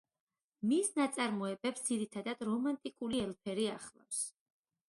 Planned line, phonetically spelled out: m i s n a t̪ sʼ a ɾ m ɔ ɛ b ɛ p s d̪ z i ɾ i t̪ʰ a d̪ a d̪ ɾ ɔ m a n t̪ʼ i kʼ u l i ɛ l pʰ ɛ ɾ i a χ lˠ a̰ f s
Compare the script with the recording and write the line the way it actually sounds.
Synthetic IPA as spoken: m i s n a t̪ sʼ a ɾ m ɔ ɛ b ɛ p s d̪ z i ɾ i t̪ʰ a d̪ a d̪ ɾ ɔ m a n t̪ʼ i kʼ u l i ɛ l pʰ ɛ ɾ i a χ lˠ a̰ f s